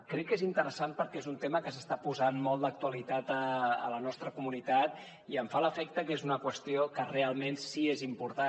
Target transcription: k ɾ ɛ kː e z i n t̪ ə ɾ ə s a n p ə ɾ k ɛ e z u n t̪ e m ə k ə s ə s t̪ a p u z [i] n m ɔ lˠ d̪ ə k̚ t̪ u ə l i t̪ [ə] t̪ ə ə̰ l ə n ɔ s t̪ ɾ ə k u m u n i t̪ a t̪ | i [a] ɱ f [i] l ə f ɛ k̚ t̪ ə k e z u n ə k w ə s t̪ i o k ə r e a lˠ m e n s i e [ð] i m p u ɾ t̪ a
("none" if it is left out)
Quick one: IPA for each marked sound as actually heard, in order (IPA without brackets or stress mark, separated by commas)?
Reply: a, a, ə, a, z